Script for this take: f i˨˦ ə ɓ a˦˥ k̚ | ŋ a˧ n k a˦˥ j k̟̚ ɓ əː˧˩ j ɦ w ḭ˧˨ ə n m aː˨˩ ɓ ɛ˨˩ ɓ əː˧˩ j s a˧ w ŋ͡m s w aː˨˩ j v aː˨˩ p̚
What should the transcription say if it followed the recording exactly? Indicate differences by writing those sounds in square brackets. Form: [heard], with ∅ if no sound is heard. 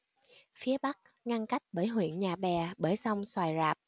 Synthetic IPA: f i˨˦ ə ɓ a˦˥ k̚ | ŋ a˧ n k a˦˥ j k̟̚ ɓ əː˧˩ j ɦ w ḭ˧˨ ə n [ɲ] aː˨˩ ɓ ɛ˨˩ ɓ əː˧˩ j s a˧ w ŋ͡m s w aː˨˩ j [z] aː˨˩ p̚